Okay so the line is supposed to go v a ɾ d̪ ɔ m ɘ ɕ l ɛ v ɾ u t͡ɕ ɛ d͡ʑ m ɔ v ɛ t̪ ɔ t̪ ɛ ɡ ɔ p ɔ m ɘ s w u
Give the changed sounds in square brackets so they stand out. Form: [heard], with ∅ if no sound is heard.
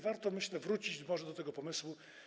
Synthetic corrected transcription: v a ɾ [t̪] ɔ m ɘ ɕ l ɛ v ɾ u t͡ɕ [i] d͡ʑ m ɔ [ʐ] ɛ [d̪] ɔ t̪ ɛ ɡ ɔ p ɔ m ɘ s w u